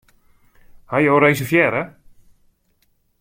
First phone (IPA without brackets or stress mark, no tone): h